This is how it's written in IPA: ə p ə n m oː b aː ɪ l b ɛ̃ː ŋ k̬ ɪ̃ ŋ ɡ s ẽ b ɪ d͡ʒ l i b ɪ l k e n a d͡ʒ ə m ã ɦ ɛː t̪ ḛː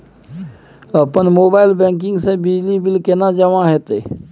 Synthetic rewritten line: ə p ə n m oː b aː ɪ l b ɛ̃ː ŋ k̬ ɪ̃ ŋ ɡ s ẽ b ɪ d͡ʒ l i b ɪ l k e n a d͡ʒ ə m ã ɦ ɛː t̪ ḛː